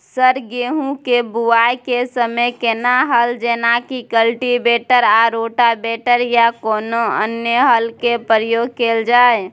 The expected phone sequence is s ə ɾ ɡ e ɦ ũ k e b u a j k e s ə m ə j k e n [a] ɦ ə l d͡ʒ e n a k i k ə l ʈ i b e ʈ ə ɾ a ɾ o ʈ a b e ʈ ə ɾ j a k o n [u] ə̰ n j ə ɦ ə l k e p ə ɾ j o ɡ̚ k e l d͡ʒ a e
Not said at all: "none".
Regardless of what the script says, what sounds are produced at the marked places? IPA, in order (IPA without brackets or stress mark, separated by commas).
a, o